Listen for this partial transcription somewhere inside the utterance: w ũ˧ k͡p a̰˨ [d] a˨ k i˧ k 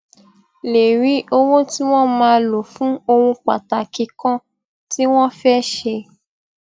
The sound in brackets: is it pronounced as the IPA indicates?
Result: no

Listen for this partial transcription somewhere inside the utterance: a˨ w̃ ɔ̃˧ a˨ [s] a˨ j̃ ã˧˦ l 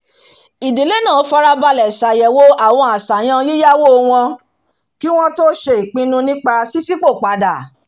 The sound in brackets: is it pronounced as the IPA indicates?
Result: yes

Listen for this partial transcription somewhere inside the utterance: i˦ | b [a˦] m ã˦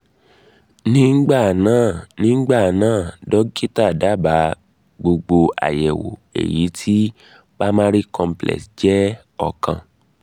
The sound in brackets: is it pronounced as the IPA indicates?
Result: yes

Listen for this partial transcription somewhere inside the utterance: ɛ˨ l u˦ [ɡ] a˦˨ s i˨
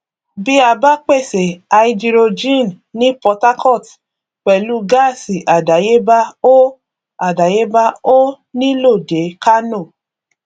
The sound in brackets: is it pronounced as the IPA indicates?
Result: yes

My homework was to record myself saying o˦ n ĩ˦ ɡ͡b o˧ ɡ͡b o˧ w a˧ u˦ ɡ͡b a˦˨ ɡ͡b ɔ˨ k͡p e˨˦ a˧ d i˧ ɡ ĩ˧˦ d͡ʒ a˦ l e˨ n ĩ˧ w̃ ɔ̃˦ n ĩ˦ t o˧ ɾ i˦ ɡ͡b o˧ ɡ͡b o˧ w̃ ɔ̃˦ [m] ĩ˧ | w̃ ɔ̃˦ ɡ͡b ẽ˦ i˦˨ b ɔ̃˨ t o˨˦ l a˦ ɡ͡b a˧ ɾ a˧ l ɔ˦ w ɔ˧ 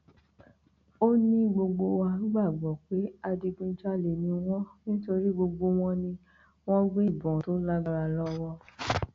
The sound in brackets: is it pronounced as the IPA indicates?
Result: no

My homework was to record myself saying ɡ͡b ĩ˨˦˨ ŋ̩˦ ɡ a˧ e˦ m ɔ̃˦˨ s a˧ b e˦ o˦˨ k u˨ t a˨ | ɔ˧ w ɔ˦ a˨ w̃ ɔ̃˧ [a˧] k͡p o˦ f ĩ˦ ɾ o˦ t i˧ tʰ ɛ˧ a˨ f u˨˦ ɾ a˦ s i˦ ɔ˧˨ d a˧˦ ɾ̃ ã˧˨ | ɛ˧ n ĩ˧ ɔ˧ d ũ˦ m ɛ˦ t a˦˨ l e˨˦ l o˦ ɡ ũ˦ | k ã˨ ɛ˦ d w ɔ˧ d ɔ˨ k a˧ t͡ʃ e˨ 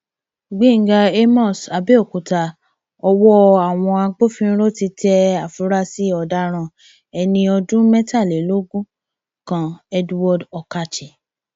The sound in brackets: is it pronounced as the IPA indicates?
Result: yes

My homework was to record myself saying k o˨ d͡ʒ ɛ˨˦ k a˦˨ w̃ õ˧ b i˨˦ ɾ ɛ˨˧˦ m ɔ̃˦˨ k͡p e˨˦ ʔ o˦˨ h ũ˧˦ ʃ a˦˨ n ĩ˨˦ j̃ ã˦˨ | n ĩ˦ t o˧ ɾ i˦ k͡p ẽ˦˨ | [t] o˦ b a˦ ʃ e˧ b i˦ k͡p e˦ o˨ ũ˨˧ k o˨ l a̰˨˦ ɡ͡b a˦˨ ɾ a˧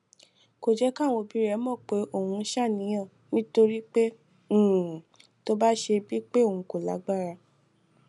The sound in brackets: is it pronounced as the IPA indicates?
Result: yes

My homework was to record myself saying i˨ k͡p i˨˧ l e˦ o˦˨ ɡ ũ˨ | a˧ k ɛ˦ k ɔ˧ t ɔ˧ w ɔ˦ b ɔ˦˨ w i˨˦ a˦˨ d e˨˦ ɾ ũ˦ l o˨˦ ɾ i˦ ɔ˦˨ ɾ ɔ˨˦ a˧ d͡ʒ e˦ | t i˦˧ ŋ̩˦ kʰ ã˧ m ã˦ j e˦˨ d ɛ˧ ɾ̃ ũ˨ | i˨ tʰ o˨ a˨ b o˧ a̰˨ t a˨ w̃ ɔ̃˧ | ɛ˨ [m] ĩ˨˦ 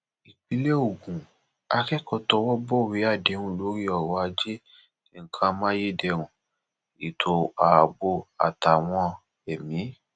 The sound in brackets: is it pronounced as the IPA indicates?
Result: yes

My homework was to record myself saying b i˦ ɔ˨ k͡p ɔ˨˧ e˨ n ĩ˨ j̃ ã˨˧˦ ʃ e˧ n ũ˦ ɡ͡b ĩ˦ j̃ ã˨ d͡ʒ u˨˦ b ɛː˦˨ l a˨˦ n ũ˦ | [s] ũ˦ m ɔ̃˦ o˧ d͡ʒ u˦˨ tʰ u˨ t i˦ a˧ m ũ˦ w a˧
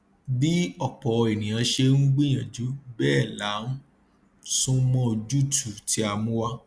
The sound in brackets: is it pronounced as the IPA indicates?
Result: yes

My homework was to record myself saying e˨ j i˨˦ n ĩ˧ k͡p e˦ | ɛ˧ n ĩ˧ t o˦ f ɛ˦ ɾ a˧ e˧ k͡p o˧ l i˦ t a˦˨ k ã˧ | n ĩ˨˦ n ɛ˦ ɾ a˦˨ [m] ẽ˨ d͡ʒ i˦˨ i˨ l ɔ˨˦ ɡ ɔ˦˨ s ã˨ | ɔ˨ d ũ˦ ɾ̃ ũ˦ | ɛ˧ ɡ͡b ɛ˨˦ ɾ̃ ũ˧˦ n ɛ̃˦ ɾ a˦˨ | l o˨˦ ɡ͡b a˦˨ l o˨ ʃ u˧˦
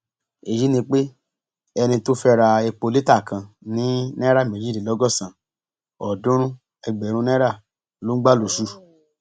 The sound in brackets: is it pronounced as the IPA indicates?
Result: yes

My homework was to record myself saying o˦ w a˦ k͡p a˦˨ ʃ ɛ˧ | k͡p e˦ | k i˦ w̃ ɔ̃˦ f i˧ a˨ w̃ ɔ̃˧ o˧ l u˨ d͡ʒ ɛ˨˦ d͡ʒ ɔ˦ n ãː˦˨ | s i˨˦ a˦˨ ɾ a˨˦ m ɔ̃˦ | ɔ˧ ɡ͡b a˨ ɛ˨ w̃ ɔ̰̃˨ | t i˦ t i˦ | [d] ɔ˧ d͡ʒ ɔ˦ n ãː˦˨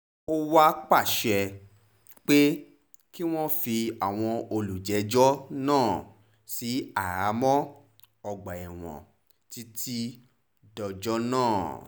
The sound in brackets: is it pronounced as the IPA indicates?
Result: yes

